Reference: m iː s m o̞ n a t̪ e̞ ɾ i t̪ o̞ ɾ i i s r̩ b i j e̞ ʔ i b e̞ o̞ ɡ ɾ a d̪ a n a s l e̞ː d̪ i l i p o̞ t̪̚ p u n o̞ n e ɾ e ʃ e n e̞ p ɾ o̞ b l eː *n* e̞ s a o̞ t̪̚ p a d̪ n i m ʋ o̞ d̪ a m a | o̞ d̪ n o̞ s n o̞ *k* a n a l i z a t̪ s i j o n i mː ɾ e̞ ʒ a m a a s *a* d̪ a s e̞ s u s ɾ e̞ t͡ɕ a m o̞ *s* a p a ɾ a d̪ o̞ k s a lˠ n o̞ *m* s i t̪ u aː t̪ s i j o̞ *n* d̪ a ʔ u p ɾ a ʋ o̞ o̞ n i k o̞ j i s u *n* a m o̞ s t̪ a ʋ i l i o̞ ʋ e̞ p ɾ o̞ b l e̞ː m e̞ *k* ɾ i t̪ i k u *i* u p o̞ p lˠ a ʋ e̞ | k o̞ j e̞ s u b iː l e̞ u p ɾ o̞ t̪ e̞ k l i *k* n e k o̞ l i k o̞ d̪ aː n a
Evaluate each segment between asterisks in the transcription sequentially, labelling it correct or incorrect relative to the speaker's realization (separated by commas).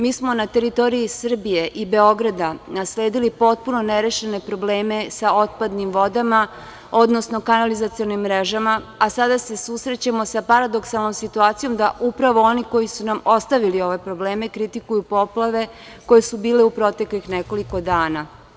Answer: incorrect, correct, correct, correct, correct, incorrect, correct, correct, incorrect, incorrect